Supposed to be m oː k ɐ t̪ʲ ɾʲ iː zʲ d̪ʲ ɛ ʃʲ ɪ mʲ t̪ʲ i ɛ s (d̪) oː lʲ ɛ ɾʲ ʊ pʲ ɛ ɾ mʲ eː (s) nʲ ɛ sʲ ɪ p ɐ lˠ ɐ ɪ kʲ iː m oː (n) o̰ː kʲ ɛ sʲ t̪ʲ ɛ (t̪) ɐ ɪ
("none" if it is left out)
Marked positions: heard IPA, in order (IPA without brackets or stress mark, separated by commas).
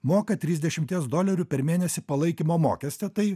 d̪, none, m, t̪